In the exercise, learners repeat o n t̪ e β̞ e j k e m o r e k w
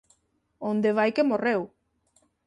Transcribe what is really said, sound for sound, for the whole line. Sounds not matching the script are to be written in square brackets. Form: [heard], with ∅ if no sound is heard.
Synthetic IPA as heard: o n [d̪] e β̞ [a] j k e m o r e [∅] w